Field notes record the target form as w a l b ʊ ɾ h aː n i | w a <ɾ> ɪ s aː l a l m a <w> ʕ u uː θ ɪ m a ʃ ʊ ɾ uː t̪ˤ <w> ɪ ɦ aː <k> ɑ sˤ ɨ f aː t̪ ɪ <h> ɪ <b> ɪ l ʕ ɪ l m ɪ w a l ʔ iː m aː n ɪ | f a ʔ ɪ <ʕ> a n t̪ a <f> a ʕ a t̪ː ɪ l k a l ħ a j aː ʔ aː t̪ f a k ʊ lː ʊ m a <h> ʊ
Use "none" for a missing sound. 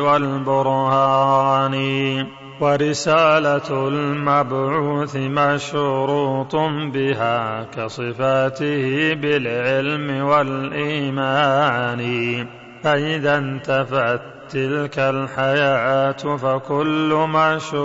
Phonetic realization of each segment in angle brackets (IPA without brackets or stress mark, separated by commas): ɾ, b, b, k, h, b, ð, f, ʃ